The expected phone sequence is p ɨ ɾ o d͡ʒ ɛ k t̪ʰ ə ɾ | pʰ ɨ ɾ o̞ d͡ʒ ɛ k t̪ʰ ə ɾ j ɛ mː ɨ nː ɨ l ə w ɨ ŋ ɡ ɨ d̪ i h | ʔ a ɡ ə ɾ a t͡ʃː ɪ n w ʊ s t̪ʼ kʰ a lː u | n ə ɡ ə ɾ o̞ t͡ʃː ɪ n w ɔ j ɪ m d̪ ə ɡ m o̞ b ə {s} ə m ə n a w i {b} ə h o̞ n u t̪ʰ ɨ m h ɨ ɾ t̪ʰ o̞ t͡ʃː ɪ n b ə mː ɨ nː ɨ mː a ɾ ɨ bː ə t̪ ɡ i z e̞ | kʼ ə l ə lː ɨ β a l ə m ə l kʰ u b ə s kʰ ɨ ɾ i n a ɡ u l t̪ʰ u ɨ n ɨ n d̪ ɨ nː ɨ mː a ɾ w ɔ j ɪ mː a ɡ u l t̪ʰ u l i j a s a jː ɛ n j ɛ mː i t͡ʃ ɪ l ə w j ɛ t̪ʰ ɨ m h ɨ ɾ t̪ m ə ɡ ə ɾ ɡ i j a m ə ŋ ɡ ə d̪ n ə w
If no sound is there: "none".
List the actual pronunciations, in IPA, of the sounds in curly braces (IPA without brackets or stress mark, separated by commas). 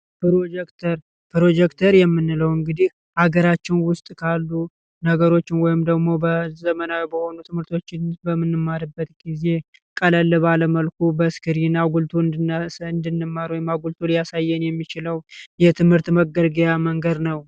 z, b